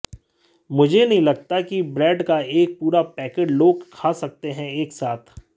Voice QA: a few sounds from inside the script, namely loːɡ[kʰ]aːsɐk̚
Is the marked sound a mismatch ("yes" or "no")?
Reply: no